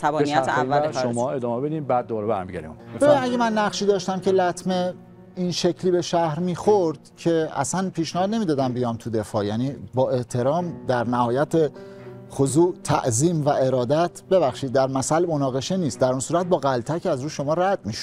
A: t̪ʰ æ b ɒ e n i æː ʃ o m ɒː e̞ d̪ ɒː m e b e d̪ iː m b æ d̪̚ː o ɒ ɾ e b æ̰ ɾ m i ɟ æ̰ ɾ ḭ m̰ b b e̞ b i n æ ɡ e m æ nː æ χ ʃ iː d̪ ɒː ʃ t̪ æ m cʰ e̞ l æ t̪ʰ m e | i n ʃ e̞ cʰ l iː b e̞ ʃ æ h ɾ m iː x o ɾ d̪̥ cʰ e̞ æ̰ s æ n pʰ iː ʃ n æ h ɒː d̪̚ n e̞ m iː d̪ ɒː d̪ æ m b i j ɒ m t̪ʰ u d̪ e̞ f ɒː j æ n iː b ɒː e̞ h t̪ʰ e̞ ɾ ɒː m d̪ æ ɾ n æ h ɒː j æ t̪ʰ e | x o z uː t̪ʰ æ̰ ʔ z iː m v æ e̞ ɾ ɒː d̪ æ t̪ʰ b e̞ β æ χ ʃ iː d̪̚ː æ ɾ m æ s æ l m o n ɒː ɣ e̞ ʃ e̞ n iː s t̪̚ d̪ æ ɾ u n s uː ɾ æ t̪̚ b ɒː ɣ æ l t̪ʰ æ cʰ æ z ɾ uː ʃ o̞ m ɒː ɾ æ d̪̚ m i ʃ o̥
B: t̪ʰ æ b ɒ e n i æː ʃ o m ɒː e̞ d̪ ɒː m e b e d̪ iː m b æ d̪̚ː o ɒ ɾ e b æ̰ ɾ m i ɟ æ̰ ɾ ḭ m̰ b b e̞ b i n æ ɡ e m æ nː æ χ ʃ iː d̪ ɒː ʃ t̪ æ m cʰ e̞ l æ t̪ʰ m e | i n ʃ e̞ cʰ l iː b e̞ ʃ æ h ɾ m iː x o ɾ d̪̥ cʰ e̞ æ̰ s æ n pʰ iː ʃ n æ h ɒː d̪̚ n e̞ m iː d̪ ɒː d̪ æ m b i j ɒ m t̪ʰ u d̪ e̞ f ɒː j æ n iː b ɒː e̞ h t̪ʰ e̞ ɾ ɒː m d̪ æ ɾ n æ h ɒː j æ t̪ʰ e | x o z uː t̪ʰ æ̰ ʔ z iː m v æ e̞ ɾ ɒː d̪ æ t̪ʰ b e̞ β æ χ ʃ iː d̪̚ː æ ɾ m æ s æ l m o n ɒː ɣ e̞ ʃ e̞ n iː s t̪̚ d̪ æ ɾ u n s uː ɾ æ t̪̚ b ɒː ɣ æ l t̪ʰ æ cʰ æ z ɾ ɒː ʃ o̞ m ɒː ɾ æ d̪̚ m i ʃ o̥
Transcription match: A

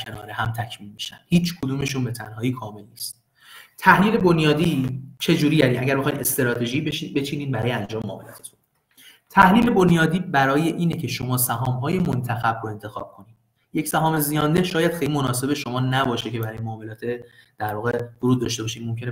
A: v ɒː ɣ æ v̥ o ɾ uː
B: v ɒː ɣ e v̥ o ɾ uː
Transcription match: B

